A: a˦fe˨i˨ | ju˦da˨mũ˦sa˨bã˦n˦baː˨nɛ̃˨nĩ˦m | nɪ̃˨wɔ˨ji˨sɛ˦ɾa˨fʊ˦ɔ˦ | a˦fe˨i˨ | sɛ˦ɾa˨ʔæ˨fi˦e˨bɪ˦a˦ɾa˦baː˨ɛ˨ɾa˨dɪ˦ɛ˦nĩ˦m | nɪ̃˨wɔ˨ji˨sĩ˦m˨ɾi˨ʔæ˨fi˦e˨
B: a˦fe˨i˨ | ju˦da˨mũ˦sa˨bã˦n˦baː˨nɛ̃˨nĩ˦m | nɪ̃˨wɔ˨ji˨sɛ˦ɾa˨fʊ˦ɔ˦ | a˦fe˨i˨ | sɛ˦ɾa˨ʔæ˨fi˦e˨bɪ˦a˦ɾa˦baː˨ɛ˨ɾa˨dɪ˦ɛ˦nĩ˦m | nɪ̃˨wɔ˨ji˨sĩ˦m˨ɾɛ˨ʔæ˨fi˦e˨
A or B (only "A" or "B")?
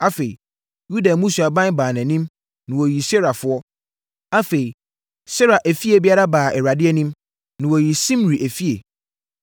A